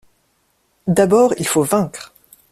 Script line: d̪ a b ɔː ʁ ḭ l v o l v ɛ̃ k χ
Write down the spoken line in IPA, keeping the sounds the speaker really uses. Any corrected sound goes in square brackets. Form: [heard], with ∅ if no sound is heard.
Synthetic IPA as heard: d̪ a b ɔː ʁ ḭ l [f] o [∅] v ɛ̃ k χ